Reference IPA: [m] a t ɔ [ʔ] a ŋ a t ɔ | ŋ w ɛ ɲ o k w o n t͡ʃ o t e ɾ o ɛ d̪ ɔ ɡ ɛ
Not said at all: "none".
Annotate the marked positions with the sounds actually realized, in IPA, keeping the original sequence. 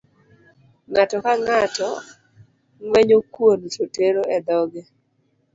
ŋ, k

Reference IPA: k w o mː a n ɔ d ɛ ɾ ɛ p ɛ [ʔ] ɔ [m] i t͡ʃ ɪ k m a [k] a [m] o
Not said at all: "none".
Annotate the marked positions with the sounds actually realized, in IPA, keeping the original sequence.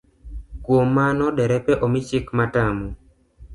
ʔ, m, t, m

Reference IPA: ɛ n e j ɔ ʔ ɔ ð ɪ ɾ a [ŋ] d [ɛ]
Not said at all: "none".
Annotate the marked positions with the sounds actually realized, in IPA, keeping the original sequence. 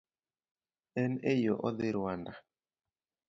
n, a

